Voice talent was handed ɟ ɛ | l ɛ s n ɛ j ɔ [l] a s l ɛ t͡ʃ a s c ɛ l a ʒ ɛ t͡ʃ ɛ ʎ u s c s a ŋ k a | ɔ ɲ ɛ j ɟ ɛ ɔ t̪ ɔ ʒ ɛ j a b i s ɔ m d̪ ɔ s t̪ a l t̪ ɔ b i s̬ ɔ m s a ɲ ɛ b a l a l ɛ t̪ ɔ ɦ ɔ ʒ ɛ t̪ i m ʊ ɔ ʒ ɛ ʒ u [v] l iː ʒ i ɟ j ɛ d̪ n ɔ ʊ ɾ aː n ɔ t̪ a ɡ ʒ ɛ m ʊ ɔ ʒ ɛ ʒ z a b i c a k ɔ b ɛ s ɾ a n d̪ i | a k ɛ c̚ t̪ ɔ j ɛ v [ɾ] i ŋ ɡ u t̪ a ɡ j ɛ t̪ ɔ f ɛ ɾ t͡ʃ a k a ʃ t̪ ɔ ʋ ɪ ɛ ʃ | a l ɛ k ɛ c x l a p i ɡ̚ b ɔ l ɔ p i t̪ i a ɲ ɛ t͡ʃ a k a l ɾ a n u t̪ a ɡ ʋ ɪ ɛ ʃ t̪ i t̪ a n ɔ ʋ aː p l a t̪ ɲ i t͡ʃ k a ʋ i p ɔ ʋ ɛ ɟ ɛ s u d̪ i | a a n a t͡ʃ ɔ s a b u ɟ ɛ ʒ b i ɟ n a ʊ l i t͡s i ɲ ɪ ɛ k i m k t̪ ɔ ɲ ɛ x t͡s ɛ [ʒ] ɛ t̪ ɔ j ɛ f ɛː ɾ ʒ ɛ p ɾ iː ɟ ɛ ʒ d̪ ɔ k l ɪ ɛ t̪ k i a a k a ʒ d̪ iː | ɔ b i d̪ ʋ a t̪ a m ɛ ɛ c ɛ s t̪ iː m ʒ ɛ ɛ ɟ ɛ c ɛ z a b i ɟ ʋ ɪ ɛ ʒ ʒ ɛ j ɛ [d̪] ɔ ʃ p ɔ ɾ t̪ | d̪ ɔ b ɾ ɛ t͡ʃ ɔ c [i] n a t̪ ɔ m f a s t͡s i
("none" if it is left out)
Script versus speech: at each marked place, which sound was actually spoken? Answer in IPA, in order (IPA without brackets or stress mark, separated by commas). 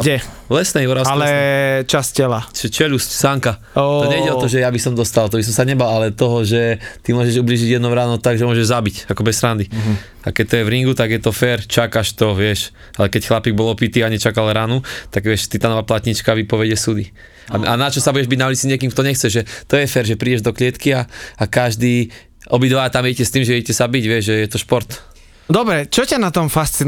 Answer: ɾ, b, ɾ, ʒ, t̪, a